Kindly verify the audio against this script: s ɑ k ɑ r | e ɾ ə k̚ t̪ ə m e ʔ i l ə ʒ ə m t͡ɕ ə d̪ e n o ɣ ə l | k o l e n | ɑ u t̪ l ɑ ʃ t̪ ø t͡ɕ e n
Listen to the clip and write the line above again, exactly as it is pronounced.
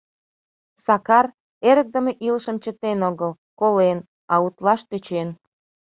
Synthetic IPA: s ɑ k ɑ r | e ɾ ə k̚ d̪ ə m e ʔ i l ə ʃ ə m t͡ɕ ə t̪ e n o ɣ ə l | k o l e n | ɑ u t̪ l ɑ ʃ t̪ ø t͡ɕ e n